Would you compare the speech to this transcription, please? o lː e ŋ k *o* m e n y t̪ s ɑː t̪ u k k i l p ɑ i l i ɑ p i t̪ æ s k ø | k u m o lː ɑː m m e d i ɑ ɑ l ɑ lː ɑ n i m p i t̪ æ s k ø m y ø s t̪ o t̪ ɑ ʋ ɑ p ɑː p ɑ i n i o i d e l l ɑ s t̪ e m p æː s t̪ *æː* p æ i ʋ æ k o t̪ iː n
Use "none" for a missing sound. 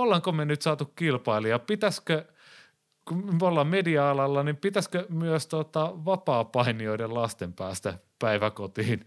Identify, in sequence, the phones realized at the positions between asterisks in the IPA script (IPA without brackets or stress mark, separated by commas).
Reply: o, æ